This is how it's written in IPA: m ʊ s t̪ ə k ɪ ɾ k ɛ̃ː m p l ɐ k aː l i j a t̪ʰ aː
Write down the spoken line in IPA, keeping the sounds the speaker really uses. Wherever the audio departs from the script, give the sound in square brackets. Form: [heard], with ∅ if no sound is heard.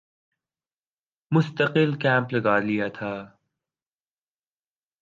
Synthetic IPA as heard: m ʊ s t̪ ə [q] ɪ [l] k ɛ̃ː m p l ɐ [ɡ] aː l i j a t̪ʰ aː

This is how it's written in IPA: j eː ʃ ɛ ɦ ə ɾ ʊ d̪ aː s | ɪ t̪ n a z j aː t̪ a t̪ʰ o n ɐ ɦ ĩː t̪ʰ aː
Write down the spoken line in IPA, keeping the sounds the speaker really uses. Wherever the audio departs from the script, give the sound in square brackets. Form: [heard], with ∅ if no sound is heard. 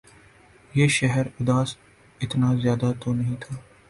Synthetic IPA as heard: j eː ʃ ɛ ɦ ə ɾ ʊ d̪ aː s | ɪ t̪ n a z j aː [d̪] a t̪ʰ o n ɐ ɦ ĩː t̪ʰ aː

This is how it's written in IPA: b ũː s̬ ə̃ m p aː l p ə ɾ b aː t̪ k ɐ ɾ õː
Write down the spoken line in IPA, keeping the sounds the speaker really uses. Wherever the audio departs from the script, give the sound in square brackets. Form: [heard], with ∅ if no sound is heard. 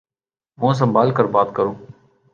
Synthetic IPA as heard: [m] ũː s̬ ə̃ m [b] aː l [k] ə ɾ b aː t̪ k [ə] ɾ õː

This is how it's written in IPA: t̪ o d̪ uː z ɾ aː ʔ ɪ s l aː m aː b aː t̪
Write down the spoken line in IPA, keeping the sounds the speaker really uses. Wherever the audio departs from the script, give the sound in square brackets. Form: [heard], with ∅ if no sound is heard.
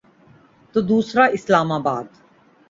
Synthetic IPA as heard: t̪ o d̪ uː [s] ɾ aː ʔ ɪ s l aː m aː b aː [d̪]

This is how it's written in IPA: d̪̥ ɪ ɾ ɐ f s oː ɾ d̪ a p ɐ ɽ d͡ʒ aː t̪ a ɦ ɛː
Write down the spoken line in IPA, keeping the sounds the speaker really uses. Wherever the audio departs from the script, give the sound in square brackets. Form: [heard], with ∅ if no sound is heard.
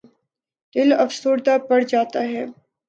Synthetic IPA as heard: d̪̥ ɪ [l] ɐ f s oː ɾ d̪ a p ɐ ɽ d͡ʒ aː t̪ a ɦ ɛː

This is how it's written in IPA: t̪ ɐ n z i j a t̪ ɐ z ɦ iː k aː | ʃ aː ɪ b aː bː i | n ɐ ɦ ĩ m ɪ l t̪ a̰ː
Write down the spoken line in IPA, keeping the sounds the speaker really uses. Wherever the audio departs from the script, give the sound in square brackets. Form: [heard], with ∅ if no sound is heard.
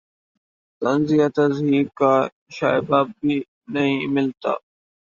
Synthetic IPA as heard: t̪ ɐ n z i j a t̪ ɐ z ɦ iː k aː | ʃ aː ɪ b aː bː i | n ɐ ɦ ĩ m ɪ l t̪ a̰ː

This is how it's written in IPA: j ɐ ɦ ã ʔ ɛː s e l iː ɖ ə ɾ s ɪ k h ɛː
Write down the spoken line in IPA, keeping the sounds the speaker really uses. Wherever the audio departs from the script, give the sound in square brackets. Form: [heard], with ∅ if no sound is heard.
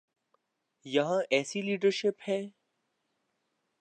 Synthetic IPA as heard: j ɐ ɦ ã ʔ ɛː s [i] l iː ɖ ə ɾ [ʃ] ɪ [p] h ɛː

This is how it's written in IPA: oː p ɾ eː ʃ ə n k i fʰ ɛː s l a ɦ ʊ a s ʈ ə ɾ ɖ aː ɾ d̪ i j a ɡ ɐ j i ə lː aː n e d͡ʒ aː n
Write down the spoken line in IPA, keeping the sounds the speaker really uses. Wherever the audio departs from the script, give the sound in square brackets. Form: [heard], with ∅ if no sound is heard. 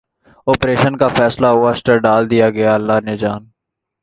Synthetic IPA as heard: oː p ɾ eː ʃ ə n k [a] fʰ ɛː s l a ɦ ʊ a s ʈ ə ɾ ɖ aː [l] d̪ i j a ɡ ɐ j [a] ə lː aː n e d͡ʒ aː n

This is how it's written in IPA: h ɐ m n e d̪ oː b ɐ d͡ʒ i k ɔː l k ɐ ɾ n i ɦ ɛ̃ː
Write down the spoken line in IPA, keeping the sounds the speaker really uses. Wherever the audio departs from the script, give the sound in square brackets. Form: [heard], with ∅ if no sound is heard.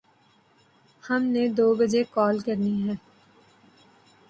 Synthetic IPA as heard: h ɐ m n e d̪ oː b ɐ d͡ʒ [e] k ɔː l k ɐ ɾ n i ɦ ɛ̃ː

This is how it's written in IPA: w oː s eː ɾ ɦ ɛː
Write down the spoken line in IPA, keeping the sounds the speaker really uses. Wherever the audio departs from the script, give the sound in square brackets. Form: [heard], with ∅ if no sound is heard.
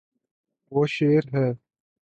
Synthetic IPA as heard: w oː [ʃ] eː ɾ ɦ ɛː

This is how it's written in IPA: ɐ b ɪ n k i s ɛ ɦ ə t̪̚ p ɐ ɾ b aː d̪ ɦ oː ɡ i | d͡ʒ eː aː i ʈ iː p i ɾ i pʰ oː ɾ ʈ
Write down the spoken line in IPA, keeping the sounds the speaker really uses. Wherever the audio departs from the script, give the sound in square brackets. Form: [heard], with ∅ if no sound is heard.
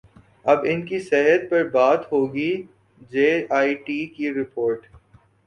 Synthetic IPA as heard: ɐ b ɪ n k i s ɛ ɦ ə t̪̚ p ɐ ɾ b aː [t̪] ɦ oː ɡ i | d͡ʒ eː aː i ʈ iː [k] i ɾ [ɪ] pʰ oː ɾ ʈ

